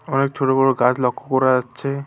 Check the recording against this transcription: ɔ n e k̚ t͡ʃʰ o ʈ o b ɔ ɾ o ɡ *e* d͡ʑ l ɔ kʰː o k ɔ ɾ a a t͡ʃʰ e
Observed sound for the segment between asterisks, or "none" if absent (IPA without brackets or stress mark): a